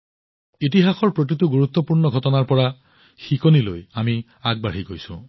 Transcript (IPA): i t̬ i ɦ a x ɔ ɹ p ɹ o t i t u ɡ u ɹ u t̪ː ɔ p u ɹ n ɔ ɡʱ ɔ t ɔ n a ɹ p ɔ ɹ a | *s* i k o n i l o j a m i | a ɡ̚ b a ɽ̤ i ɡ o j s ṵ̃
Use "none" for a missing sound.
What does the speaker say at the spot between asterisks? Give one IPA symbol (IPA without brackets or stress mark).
x